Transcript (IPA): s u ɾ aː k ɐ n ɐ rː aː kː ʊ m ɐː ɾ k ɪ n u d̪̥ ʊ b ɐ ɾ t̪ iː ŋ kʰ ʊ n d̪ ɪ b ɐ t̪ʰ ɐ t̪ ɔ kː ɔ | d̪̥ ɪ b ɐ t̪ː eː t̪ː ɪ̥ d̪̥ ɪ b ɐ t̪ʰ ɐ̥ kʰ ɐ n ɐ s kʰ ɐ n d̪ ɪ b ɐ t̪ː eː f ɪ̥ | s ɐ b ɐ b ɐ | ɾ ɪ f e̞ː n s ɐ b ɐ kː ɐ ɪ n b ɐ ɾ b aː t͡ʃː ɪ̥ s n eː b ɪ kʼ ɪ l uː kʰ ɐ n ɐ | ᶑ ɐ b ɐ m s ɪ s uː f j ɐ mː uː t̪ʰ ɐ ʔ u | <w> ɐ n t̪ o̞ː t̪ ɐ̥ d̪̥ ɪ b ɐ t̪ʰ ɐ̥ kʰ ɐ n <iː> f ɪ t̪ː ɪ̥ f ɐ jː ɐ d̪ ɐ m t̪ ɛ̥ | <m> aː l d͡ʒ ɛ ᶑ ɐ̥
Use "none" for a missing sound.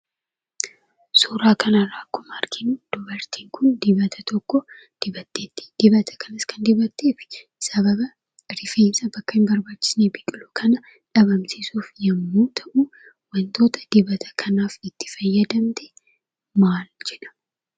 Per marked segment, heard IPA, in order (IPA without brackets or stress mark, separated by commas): w, aː, m